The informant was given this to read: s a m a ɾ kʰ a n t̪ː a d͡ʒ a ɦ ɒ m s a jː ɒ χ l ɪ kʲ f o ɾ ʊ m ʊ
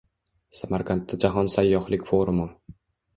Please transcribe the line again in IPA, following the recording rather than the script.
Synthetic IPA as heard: s a m a ɾ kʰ a n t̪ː a d͡ʒ a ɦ ɒ n s a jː ɒ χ l ɪ kʲ f o ɾ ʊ m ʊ